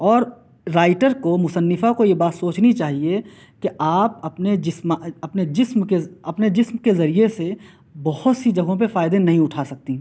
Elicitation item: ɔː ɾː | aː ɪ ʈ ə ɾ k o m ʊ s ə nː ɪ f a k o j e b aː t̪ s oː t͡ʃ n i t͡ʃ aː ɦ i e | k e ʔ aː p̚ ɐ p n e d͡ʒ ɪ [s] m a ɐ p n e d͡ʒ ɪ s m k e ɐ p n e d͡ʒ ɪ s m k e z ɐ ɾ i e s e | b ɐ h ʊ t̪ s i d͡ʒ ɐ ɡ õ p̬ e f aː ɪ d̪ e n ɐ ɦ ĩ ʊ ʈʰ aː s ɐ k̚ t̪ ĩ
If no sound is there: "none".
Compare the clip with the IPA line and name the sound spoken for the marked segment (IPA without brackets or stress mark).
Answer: s